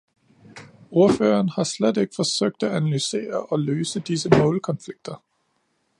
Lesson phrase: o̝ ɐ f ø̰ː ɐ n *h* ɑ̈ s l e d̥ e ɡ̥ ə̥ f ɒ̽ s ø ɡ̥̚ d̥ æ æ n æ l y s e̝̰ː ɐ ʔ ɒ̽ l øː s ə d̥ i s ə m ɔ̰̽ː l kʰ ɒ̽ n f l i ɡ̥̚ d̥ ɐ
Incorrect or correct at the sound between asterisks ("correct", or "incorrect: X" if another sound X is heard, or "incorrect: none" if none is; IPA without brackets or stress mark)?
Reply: correct